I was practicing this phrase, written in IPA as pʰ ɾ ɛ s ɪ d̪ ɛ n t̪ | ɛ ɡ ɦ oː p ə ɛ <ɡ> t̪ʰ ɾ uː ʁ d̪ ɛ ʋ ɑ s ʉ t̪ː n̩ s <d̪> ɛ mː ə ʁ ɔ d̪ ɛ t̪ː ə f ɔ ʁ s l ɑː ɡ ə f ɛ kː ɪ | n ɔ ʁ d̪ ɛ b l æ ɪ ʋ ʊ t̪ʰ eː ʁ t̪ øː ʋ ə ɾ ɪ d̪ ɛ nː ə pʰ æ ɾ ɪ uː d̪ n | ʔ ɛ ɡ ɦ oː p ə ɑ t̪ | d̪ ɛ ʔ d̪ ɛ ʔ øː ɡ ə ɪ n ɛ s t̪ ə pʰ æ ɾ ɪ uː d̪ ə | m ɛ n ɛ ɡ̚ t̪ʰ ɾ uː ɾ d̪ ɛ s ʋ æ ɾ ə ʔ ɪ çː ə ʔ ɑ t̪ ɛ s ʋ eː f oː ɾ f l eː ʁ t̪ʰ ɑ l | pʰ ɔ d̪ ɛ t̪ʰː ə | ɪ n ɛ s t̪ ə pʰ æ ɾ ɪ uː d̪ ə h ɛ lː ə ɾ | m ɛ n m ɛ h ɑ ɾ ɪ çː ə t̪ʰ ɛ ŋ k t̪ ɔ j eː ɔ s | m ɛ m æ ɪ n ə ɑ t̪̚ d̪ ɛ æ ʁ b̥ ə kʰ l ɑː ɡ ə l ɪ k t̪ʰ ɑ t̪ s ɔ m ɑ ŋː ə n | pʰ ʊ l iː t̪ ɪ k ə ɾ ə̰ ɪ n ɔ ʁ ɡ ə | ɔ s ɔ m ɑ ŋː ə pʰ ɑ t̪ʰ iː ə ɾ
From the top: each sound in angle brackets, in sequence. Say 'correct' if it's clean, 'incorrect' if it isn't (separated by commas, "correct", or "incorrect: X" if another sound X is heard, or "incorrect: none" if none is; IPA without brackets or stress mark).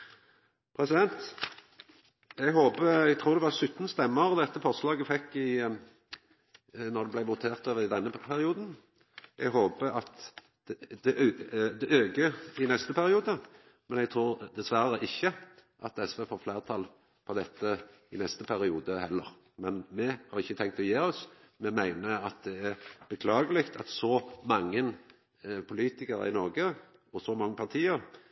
correct, incorrect: t̪